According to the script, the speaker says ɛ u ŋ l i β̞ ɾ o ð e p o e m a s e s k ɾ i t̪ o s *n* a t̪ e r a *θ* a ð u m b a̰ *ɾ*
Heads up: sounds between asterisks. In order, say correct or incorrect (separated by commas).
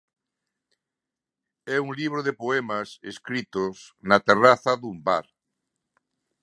correct, correct, correct